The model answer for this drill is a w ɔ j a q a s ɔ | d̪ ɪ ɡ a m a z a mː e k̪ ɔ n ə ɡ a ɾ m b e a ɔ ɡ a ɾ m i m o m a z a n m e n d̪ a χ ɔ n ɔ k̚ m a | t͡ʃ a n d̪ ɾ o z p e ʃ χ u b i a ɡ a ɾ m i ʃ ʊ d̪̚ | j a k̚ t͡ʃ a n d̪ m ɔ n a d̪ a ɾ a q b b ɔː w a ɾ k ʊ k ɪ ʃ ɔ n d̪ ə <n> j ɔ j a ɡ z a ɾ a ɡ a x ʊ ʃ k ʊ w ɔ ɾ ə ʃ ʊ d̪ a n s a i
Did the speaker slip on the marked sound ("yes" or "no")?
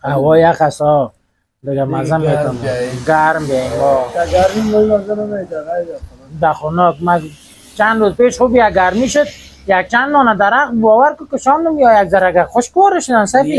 yes